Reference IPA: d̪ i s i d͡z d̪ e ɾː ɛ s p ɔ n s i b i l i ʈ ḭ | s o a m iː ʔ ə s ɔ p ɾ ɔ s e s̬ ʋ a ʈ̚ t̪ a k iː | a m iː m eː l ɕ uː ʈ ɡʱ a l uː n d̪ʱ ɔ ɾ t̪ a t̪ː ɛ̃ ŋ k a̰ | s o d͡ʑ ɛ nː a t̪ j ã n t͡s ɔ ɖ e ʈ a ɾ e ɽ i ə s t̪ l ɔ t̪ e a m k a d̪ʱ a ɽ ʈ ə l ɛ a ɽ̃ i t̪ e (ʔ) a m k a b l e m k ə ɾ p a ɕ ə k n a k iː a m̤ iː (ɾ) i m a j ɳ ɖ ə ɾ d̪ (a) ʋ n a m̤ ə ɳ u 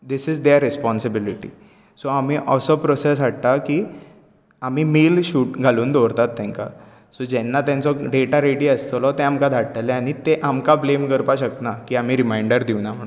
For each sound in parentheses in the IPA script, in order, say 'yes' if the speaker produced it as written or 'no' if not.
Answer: yes, yes, no

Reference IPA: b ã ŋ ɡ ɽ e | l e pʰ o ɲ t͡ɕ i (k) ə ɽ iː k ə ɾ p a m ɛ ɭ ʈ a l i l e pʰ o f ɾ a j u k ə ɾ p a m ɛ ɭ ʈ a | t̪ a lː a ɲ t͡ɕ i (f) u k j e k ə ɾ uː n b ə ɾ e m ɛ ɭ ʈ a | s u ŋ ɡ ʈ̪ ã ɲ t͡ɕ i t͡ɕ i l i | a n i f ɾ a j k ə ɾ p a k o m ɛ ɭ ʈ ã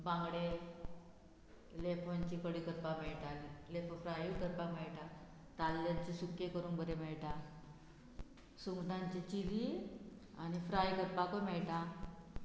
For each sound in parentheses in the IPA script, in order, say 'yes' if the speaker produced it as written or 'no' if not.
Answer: yes, no

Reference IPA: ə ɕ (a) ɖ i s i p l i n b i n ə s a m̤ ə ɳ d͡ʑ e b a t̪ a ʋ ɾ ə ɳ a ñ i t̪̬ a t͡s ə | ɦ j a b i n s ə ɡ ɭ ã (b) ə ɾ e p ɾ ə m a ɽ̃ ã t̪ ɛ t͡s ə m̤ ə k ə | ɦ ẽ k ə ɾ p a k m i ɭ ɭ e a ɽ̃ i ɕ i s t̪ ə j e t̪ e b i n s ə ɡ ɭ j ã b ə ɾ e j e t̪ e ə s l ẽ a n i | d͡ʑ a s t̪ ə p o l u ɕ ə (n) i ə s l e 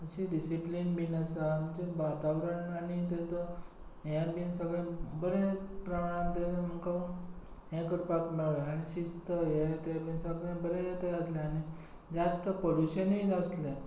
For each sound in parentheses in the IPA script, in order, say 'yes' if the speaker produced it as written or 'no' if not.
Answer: no, yes, yes

